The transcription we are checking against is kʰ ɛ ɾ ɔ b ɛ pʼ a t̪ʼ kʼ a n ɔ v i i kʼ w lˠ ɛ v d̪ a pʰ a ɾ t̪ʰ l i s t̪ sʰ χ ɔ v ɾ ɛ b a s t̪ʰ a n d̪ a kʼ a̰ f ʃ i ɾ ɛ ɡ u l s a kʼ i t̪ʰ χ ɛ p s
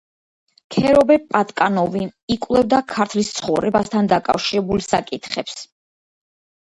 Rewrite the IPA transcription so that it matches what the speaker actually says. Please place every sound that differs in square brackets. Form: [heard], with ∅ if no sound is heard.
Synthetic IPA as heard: kʰ ɛ ɾ ɔ b ɛ pʼ a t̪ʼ kʼ a n ɔ v i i kʼ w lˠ ɛ v d̪ a [kʰ] a ɾ t̪ʰ l i s t̪ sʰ χ ɔ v ɾ ɛ b a s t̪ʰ a n d̪ a kʼ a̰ f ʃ i ɾ ɛ [b] u l s a kʼ i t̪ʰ χ ɛ p s